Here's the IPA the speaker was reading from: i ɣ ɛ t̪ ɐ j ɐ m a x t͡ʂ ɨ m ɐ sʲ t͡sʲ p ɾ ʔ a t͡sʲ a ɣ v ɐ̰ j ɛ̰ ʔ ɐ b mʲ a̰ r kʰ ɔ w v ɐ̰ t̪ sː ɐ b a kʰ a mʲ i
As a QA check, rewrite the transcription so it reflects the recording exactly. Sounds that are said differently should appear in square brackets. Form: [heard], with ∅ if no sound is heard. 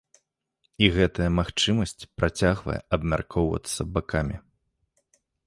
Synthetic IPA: i ɣ ɛ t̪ ɐ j ɐ m a x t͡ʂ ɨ m ɐ sʲ t͡sʲ p ɾ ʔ a t͡sʲ a ɣ v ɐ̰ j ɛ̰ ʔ ɐ b mʲ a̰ r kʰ ɔ w v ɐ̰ t̪ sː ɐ b a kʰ a mʲ i